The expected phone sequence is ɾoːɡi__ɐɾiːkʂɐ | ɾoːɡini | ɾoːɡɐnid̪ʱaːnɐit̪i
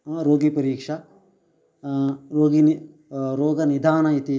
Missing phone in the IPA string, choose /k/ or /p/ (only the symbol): p